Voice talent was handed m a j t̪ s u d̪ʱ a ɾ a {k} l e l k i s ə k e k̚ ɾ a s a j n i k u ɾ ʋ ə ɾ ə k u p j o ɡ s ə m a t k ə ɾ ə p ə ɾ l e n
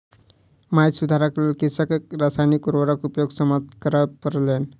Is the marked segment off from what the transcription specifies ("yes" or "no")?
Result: no